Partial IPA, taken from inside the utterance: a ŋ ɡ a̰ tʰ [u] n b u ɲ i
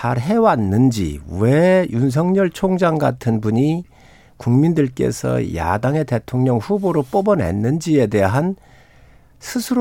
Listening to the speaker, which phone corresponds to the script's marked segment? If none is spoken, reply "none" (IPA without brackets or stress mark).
ɯ